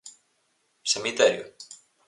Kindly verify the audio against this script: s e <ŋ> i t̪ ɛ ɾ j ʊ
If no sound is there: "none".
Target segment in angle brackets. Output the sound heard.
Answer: m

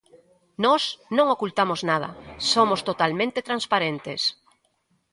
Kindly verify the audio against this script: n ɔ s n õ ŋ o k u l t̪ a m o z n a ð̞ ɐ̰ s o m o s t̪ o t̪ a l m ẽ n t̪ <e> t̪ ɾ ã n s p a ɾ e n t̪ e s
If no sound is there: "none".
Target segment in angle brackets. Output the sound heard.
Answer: e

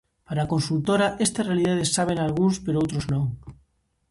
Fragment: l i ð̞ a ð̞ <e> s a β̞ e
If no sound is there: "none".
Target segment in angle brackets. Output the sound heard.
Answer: e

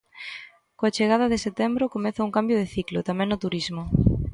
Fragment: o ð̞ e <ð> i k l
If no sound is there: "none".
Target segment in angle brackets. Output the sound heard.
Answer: θ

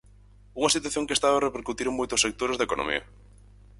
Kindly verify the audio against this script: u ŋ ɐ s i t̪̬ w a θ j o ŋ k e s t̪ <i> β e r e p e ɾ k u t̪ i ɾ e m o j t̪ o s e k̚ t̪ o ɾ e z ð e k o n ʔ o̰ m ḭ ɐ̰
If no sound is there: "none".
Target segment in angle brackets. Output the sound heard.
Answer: a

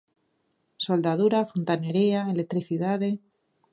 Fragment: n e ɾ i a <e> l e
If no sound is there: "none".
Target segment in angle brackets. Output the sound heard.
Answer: e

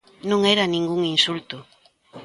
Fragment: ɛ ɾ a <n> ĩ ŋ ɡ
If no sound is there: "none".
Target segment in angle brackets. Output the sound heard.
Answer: n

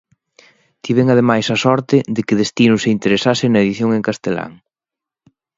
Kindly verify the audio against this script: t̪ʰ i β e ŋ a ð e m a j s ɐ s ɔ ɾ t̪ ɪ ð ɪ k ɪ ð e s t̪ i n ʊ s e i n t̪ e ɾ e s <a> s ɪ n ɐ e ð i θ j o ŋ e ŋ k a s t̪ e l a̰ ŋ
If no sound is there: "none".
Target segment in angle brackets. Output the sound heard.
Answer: a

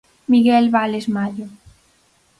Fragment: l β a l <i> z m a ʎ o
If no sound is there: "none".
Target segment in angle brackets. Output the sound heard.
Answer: e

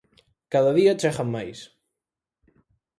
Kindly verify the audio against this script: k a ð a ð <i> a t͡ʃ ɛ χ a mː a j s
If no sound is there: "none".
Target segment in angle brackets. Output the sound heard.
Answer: i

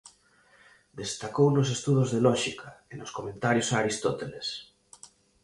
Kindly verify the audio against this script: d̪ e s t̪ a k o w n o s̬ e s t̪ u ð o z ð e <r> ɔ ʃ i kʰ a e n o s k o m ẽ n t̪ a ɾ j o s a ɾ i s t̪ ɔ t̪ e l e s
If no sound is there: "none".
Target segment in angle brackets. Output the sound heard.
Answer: l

